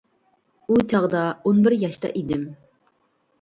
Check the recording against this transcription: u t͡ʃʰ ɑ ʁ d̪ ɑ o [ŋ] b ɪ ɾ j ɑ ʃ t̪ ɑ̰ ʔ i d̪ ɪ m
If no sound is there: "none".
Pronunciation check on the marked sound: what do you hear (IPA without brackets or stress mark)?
n